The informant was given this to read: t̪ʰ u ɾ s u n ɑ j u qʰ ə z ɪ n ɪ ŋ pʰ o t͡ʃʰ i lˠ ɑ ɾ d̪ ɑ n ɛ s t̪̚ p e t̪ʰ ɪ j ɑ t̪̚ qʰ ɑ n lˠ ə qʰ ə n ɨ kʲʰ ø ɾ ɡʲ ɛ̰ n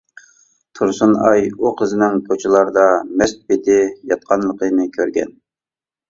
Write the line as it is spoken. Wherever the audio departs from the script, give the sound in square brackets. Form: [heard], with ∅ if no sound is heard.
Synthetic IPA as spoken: t̪ʰ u ɾ s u n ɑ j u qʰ ə z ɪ n ɪ ŋ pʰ o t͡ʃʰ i lˠ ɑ ɾ d̪ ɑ [m] ɛ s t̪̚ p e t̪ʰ ɪ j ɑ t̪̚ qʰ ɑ n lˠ ə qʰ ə n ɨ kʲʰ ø ɾ ɡʲ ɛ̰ n